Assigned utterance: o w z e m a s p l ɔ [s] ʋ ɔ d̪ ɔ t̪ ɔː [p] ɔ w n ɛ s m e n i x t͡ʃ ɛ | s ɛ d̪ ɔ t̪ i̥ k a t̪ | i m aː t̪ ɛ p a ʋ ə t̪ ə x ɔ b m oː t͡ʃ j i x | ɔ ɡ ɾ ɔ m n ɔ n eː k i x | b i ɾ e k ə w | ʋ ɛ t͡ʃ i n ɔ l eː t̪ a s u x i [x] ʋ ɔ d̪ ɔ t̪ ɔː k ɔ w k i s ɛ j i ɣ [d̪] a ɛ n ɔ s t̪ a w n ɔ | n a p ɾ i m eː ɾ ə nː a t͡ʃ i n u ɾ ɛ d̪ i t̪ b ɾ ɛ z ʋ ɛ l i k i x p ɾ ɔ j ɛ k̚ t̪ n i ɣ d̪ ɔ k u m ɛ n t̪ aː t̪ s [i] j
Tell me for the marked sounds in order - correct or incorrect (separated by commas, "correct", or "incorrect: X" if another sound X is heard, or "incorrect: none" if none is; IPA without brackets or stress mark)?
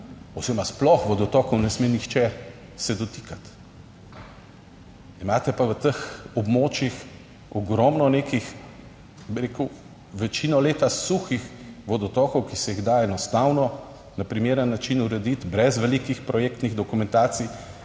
incorrect: x, incorrect: k, correct, correct, correct